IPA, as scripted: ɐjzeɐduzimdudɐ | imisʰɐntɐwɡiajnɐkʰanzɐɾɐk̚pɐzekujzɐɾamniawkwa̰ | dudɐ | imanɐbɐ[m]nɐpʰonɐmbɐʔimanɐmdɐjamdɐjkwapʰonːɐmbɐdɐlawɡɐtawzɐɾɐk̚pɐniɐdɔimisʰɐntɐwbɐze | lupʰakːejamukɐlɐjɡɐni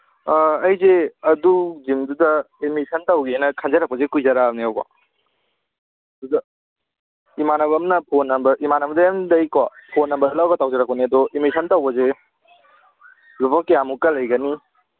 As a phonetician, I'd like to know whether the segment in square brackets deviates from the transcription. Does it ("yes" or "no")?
no